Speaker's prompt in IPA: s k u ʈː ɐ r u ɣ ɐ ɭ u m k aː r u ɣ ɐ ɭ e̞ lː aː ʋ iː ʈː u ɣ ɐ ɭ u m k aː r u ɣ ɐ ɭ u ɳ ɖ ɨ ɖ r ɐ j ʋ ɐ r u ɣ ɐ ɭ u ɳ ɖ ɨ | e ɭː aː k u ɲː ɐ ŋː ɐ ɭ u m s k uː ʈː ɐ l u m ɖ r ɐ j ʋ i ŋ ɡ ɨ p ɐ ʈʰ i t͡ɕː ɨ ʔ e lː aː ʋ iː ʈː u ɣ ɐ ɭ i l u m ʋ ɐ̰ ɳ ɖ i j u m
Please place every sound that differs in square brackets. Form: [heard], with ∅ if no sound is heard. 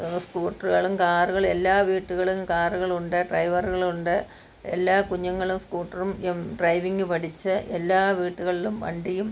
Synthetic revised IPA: s k [uː] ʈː ɐ r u ɣ ɐ ɭ u m k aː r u ɣ ɐ ɭ e̞ lː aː ʋ iː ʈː u ɣ ɐ ɭ u m k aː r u ɣ ɐ ɭ u ɳ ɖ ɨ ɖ r ɐ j ʋ ɐ r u ɣ ɐ ɭ u ɳ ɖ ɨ | e [lː] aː k u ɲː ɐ ŋː ɐ ɭ u m s k uː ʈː ɐ [r] u m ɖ r ɐ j ʋ i ŋ ɡ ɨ p ɐ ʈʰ i t͡ɕː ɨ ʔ e lː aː ʋ iː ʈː u ɣ ɐ ɭ i l u m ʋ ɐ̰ ɳ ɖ i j u m